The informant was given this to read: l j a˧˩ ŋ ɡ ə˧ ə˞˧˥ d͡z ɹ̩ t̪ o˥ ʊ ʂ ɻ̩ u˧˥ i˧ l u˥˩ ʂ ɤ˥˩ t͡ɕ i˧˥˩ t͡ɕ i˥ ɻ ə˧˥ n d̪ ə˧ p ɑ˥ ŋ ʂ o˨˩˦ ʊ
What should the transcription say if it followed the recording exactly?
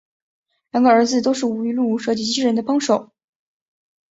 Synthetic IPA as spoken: l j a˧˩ ŋ ɡ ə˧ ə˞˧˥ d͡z ɹ̩ t̪ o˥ ʊ ʂ ɻ̩ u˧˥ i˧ l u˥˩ ʂ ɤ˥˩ t͡ɕ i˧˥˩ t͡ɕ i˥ ɻ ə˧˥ n d̪ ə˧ p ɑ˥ ŋ ʂ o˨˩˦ ʊ